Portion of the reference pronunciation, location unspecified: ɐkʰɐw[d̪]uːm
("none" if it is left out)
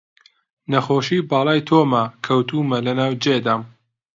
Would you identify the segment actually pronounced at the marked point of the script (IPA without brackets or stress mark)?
t̪